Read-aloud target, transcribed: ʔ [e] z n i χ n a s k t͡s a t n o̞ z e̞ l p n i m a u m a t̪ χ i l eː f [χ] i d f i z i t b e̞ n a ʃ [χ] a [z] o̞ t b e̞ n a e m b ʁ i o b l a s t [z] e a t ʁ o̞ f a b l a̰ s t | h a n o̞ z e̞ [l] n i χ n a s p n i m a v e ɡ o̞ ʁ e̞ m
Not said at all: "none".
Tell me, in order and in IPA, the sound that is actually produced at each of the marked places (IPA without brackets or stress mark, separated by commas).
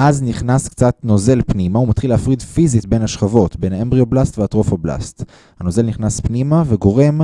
a, ʁ, χ, v, v, l